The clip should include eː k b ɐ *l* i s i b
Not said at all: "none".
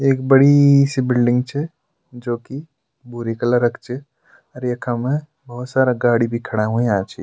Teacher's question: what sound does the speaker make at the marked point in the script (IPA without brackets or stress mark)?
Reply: ɽ